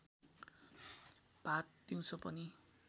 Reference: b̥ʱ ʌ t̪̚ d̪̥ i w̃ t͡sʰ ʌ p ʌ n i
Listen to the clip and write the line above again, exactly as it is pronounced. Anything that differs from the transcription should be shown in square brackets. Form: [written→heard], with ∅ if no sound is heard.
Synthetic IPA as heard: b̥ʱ [ʌ→a] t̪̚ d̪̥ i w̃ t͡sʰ ʌ p ʌ n i